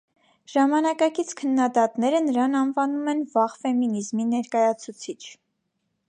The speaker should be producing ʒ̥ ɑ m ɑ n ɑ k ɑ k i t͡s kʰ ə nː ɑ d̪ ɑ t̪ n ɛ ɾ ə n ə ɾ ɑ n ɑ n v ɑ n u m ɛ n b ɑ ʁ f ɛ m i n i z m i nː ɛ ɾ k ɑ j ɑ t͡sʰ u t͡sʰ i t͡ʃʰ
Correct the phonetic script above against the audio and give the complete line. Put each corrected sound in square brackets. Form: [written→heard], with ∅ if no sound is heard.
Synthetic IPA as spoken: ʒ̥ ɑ m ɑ n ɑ k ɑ k i [t͡s→t͡sʰ] kʰ ə nː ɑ d̪ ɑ t̪ n ɛ ɾ ə n ə ɾ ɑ n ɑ n v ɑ n u m ɛ n [b→v] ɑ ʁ f ɛ m i n i z m i [nː→n] ɛ ɾ k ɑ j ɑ t͡sʰ u t͡sʰ i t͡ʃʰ